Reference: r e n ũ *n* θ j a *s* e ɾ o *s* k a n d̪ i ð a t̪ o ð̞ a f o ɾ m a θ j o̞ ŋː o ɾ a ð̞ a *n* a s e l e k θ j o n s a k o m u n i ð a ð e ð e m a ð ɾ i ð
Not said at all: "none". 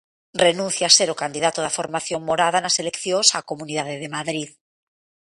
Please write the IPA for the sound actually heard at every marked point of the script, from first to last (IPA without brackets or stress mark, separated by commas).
n, s, none, n